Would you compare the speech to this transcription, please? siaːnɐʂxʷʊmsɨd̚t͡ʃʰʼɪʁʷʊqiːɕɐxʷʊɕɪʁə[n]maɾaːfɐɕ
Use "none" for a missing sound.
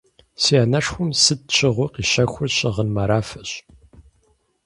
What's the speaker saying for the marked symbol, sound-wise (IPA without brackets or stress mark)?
n